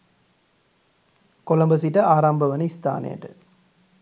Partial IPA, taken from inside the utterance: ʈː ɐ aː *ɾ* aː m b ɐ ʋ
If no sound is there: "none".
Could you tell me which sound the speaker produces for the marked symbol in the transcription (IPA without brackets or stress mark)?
ɾ